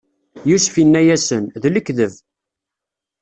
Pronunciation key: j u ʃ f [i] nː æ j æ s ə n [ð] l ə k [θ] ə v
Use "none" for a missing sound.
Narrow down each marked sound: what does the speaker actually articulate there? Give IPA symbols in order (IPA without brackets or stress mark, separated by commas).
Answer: i, ð, ð